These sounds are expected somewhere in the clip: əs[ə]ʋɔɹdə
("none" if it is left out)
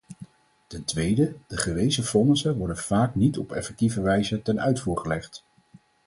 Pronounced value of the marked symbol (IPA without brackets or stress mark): ə